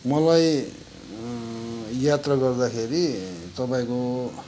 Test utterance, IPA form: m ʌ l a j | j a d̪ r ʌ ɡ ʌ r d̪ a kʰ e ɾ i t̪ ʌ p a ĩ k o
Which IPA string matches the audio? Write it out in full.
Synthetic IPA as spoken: m ʌ l a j | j a t̪ r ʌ ɡ ʌ r d̪ a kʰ e ɾ i t̪ ʌ p a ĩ k o